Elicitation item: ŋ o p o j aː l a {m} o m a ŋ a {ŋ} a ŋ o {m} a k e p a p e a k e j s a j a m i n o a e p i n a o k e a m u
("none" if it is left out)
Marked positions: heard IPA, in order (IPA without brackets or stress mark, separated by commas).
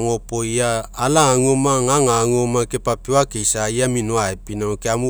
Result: ŋ, ŋ, m